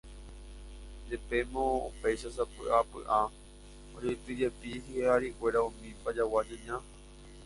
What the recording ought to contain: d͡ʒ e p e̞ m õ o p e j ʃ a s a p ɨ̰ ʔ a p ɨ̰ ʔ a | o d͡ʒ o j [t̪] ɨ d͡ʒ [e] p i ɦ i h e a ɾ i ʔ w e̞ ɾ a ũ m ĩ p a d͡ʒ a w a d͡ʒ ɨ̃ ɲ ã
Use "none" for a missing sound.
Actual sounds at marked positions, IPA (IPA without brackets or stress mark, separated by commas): t̪, e